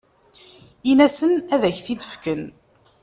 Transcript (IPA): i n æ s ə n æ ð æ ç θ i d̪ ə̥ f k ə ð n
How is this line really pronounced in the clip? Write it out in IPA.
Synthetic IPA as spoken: i n æ s ə n æ ð æ ç θ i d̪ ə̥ f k ə n